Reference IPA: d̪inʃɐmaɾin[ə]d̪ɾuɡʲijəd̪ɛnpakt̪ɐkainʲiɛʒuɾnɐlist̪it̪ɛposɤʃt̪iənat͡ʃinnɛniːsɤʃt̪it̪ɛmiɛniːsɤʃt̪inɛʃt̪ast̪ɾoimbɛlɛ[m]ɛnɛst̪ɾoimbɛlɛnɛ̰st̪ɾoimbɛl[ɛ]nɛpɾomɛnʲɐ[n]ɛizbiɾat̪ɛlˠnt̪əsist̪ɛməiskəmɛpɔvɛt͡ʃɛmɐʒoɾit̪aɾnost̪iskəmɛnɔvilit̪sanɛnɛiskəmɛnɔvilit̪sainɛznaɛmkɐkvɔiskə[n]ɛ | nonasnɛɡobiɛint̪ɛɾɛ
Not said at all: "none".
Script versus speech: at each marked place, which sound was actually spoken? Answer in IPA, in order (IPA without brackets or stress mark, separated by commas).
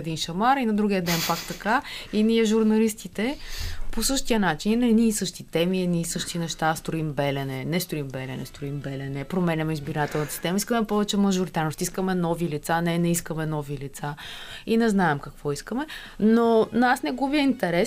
ɐ, n, ɛ, m, m